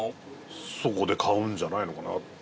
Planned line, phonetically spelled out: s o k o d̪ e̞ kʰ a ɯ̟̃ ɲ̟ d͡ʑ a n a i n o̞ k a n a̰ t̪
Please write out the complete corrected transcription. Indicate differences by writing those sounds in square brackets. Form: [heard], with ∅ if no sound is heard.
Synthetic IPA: s o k o d̪ e̞ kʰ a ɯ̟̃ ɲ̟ d͡ʑ a n a i n o̞ k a n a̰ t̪